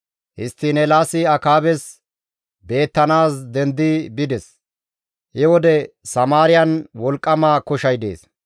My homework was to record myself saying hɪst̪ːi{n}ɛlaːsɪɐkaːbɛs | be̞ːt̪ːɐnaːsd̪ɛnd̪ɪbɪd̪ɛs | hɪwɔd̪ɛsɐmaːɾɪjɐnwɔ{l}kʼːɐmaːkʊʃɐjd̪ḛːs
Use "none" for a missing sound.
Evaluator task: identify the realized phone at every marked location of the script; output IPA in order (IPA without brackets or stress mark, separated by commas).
n, l